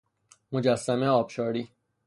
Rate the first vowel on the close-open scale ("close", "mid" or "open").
mid